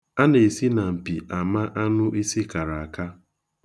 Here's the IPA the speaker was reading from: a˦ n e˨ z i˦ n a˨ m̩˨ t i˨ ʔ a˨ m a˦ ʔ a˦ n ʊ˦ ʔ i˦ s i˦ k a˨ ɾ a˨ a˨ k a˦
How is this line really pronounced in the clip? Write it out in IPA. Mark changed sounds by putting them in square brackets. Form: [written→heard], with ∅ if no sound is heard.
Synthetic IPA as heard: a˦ n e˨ [z→s] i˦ n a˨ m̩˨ [t→p] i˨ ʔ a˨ m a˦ ʔ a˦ n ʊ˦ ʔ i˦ s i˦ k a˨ ɾ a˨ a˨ k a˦